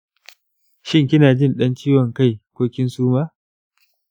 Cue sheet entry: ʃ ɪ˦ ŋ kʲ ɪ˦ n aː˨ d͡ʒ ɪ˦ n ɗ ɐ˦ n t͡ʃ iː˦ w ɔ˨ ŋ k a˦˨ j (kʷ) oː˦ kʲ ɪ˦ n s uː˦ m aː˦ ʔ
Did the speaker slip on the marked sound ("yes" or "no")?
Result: no